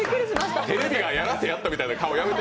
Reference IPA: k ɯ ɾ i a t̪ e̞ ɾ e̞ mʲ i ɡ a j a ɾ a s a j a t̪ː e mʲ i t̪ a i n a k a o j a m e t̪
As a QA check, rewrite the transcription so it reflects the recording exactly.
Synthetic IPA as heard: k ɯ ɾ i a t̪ e̞ ɾ e̞ bʲ i ɡ a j a ɾ a s e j a t̪ː a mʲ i t̪ a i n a k a o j a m e t̪